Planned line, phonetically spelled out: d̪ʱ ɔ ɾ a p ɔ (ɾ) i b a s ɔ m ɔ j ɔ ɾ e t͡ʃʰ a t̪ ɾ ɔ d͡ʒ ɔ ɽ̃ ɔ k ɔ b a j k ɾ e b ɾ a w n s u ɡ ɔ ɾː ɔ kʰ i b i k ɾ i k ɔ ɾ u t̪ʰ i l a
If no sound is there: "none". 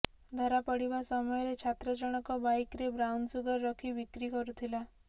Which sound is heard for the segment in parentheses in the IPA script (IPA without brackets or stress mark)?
ɽ